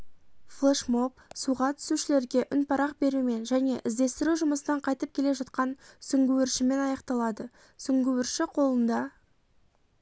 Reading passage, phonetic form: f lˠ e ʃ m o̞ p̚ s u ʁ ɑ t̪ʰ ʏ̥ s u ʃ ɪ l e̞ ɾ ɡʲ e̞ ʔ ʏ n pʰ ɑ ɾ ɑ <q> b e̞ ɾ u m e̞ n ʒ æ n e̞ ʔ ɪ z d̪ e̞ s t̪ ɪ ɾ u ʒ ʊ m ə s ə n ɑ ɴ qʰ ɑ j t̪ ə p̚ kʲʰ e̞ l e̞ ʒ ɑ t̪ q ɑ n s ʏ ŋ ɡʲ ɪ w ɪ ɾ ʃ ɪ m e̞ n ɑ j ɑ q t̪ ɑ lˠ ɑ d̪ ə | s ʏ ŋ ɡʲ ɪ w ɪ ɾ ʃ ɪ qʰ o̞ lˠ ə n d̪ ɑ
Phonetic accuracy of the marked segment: correct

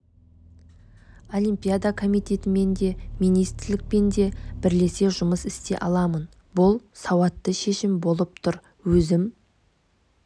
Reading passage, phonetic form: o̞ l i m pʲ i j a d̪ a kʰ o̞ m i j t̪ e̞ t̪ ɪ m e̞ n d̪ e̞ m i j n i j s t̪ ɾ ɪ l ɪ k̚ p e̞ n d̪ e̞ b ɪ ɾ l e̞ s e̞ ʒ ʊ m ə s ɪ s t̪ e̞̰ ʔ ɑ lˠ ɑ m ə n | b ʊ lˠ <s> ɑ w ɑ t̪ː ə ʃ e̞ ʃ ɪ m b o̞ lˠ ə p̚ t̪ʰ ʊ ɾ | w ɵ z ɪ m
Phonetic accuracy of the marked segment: correct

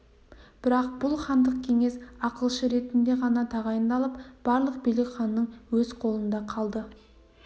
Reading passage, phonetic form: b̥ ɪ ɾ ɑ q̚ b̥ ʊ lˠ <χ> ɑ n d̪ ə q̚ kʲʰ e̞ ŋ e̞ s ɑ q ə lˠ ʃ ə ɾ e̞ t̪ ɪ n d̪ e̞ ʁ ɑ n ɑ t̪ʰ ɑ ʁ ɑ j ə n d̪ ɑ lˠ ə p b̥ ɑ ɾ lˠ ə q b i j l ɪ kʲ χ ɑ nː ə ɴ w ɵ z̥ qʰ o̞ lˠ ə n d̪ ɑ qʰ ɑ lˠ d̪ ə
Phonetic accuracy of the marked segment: correct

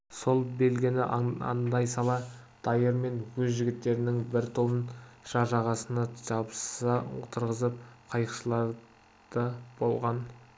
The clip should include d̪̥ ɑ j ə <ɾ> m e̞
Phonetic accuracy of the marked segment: correct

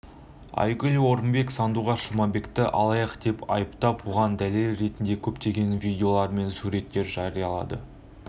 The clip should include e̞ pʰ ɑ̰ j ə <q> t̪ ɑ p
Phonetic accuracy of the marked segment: incorrect: p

